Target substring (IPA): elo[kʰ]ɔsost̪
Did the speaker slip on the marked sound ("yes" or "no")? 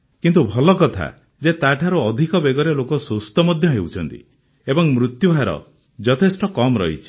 yes